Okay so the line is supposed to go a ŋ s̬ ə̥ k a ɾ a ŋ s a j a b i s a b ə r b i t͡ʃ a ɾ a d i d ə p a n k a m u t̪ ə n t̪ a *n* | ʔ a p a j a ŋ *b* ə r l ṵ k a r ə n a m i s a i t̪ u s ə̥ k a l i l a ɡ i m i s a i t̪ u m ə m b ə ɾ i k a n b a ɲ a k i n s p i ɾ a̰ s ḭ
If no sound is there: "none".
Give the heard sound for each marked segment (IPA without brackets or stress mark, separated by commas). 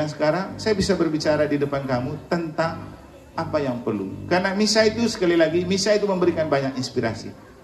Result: ŋ, p